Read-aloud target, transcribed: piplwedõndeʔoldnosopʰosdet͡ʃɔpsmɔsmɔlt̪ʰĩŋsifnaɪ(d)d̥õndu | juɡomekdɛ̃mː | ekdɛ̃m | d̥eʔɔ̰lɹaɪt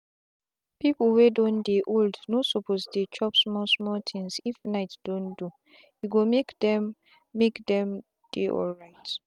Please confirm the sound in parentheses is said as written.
no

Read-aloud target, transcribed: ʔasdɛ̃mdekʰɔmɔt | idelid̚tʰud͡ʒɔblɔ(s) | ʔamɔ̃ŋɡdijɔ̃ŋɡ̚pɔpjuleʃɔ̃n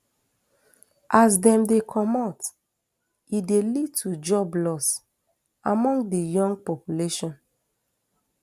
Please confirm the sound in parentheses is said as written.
yes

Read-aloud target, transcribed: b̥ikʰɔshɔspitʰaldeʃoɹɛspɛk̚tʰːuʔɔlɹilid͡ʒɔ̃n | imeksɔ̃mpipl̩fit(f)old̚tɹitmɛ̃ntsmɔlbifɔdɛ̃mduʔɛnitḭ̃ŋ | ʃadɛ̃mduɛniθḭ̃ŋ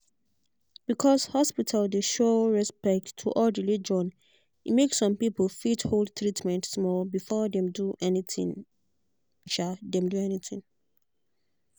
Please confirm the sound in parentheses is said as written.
no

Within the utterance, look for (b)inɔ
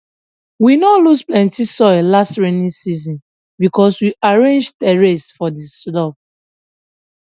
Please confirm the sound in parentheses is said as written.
no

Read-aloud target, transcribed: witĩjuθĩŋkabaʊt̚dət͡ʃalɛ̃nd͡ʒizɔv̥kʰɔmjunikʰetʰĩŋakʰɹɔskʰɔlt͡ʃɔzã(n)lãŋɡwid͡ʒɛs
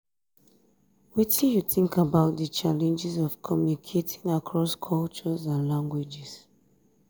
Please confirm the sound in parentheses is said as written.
yes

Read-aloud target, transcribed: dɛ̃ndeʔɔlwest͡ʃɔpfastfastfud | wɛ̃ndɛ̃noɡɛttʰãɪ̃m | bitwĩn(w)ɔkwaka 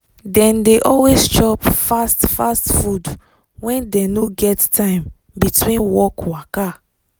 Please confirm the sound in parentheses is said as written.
yes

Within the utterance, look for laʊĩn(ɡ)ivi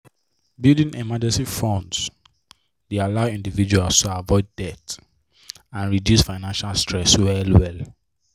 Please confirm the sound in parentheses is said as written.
no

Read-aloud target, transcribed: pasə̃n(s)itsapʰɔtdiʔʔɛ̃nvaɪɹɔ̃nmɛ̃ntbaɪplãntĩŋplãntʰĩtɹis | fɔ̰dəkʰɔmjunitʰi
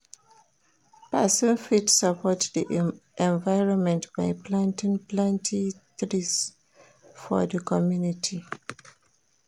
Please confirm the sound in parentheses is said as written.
no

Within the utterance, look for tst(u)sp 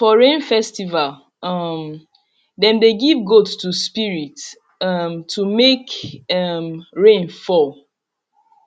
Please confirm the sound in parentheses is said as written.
yes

